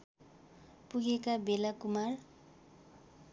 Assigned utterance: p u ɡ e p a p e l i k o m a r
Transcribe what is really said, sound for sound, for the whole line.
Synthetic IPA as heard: p u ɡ e k a b e l a k u m a r

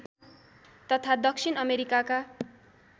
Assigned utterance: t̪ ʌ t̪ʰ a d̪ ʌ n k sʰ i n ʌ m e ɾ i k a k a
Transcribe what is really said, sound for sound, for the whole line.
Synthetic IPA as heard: t̪ ʌ t̪ʰ a d̪ ʌ k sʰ i n ʌ m e ɾ i k a k a

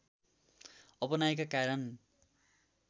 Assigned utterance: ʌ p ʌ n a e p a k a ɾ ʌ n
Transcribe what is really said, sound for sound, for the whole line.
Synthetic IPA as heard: ʌ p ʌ n a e k a k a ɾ ʌ n

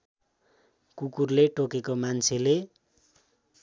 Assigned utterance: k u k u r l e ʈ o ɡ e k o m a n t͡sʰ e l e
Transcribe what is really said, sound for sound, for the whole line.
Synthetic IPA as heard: k u k u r l e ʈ o k e k o m a n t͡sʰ e l e

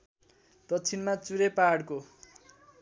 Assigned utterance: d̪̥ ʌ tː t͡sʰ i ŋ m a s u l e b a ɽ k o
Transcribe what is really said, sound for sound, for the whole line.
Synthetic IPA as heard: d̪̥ ʌ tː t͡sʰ i n m a t͡s u ɾ e p a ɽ k o

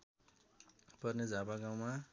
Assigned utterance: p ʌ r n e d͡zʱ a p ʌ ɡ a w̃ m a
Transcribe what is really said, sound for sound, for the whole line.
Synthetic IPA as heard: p ʌ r n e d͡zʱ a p a ɡ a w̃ m a

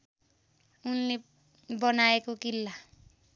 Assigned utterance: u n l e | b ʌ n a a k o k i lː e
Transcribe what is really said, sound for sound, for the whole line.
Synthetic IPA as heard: u n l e | b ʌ n a e k o k i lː a

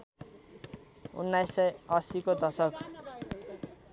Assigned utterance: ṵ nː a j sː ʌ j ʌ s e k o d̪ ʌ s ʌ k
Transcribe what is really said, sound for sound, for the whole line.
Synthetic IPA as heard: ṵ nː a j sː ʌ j ʌ s i k o d̪ ʌ s ʌ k

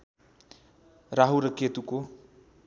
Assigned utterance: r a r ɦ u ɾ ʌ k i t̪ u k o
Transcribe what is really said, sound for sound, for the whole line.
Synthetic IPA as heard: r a ɦ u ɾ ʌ k e t̪ u k o

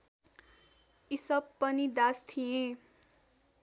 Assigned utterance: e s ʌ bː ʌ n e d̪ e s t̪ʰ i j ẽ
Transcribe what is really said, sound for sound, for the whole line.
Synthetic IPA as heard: i s ʌ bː ʌ n i d̪ a s t̪ʰ i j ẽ

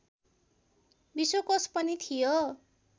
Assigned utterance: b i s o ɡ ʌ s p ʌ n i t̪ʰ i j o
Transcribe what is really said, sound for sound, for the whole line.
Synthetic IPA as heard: b i s o k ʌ s p ʌ n i t̪ʰ i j o

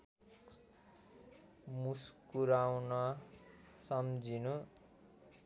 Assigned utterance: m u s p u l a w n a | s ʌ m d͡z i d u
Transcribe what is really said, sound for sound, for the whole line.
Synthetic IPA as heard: m u s k u ɾ a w n ʌ | s ʌ m d͡z i n u

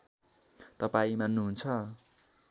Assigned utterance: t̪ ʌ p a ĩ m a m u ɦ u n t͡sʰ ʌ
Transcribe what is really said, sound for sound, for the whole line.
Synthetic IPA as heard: t̪ ʌ p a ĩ m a n u ɦ u n t͡sʰ ʌ

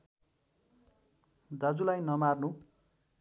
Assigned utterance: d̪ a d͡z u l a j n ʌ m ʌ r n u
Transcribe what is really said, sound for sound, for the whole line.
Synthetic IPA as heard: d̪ a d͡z u l a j n ʌ m a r n u

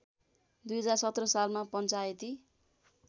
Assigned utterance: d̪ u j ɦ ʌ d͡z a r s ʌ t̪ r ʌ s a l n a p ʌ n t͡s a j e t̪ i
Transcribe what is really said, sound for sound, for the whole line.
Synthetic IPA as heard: d̪ u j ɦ ʌ d͡z a r s ʌ t̪ r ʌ s a l m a p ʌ n t͡s a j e t̪ i

